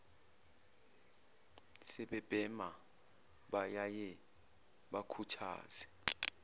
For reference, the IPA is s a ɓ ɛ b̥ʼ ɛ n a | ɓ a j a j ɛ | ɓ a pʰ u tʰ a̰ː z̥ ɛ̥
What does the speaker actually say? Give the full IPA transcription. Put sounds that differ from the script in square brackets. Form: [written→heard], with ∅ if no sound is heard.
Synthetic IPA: s [a→ɛ] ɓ ɛ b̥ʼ ɛ [n→m] a | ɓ a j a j ɛ | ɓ a [pʰ→kʰ] u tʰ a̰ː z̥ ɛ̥